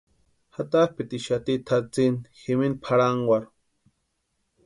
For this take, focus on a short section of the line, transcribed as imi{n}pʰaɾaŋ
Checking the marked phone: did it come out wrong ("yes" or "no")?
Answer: no